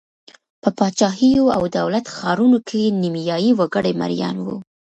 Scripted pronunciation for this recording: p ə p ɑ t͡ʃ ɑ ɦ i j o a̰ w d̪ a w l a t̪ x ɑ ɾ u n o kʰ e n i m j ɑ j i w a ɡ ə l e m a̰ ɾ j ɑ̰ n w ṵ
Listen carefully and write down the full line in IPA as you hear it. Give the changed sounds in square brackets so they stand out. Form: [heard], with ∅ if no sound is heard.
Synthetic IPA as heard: p ə p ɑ t͡ʃ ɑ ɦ i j o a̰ w d̪ a w l a t̪ x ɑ ɾ u n o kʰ e n i m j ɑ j i w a ɡ ə [ɽ] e m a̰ ɾ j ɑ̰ n w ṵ

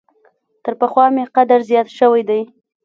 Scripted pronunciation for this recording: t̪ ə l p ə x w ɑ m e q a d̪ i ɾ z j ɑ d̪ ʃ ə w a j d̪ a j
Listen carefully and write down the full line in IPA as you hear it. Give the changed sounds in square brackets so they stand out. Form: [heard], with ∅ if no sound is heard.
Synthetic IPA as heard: t̪ ə [ɾ] p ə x w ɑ m e q a d̪ [a] ɾ z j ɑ [t̪] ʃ ə w a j d̪ a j

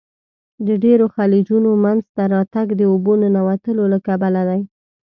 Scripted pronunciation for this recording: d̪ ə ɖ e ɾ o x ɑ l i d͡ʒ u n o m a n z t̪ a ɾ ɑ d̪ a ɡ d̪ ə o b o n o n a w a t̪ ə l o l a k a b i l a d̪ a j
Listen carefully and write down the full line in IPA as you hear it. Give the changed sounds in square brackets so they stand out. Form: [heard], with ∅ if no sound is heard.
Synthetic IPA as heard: d̪ ə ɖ e ɾ o x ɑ l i d͡ʒ u n o m a n z t̪ a ɾ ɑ [t̪] a ɡ d̪ ə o b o n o n a w a t̪ ə l o l a k a b [a] l a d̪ a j

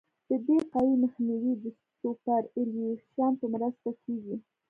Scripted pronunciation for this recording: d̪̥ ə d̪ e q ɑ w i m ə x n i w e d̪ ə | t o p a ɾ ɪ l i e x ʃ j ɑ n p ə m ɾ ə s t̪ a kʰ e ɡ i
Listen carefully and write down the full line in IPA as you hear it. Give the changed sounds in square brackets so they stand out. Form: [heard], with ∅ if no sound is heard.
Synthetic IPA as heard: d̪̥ ə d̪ e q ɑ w i m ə x n i w [i] d̪ ə | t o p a ɾ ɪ l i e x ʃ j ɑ n p ə m ɾ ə s t̪ a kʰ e ɡ i

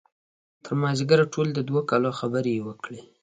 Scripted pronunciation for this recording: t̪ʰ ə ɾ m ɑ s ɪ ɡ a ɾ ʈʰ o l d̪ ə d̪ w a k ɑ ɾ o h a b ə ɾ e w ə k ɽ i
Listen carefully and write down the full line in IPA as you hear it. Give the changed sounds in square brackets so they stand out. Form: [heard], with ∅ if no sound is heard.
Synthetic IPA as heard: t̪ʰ ə ɾ m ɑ [z] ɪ ɡ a ɾ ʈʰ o l d̪ ə d̪ w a k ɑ [l] o [x] a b ə ɾ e w ə k ɽ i

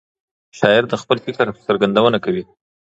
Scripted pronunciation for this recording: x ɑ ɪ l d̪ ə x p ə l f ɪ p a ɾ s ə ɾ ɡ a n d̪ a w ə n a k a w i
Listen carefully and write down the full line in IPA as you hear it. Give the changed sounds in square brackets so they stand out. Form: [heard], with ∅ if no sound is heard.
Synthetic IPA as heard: [ʃ] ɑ ɪ [ɾ] d̪ ə x p ə l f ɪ [k] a ɾ s ə ɾ ɡ a n d̪ a w ə n a k a w i

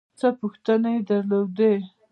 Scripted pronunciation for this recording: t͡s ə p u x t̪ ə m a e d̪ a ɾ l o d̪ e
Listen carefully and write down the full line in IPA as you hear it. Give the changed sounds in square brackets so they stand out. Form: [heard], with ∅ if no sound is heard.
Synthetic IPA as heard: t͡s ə p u x t̪ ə [n] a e d̪ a ɾ l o d̪ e

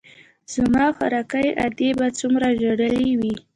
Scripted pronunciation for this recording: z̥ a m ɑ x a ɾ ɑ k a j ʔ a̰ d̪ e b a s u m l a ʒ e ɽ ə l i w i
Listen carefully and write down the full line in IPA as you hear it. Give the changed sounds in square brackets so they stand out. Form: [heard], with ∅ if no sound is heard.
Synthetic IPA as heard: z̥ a m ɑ x a ɾ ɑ k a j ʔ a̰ d̪ e b a [t͡s] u m [ɾ] a ʒ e ɽ ə l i w i

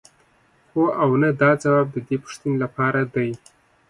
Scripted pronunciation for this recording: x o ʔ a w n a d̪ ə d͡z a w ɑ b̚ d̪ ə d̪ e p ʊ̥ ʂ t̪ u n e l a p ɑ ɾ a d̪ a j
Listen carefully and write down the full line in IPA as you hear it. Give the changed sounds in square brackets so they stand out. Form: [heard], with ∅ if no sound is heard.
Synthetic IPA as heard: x o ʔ a w n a d̪ [ɑ] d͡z a w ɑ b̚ d̪ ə d̪ e p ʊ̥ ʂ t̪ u n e l a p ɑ ɾ a d̪ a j

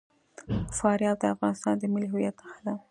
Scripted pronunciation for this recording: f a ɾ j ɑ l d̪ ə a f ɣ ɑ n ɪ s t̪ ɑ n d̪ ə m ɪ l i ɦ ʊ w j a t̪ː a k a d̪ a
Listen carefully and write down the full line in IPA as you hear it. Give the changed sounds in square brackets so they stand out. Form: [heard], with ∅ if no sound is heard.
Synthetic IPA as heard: f [ɑ] ɾ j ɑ l d̪ ə a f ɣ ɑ n ɪ s t̪ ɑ n d̪ ə m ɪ l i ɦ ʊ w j a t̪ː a [x] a d̪ a

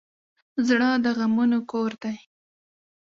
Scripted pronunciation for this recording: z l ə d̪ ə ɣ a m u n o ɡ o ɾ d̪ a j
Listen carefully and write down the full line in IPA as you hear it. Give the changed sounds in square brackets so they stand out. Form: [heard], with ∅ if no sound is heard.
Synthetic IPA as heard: z [ɽ] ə d̪ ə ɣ a m u n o [k] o ɾ d̪ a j

